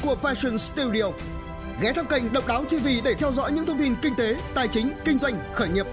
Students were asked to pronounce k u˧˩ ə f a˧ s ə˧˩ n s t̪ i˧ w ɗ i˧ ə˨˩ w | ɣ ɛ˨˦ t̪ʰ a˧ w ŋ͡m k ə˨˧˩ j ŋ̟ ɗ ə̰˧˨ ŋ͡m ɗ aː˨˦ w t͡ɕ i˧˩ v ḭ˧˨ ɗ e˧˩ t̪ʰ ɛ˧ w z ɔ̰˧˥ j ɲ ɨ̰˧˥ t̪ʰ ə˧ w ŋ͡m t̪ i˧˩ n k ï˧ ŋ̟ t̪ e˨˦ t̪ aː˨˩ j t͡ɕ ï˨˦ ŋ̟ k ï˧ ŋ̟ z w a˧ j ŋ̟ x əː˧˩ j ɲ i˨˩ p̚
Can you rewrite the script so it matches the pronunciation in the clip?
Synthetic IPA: k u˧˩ ə f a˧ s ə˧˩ n s t̪ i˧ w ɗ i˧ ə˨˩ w | ɣ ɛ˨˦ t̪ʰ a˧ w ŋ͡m k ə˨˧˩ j ŋ̟ ɗ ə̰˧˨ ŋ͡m ɗ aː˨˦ w t͡ɕ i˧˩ v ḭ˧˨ ɗ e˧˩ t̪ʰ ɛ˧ w z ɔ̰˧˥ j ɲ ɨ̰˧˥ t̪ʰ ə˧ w ŋ͡m t̪ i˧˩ n k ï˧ ŋ̟ t̪ e˨˦ t̪ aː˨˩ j t͡ɕ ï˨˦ ŋ̟ k ï˧ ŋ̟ z w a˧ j ŋ̟ x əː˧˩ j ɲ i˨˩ p̚